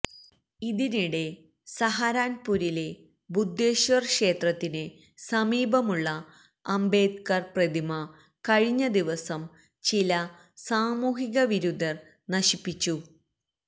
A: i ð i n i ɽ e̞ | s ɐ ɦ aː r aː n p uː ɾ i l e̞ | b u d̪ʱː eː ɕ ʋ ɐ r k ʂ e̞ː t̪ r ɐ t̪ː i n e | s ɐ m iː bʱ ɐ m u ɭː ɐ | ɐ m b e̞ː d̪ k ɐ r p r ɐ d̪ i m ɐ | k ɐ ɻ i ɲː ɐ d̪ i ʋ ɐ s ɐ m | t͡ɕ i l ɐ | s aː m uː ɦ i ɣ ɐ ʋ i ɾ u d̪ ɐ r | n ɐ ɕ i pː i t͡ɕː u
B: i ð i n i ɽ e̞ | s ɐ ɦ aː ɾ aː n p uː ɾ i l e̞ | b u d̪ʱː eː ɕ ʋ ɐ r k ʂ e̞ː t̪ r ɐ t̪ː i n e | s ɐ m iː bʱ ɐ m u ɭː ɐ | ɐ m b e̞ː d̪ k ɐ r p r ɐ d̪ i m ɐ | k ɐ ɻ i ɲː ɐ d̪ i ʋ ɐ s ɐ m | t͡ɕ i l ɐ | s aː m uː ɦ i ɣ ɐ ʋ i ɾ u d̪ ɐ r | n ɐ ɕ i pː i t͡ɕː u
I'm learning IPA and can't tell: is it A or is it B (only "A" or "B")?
B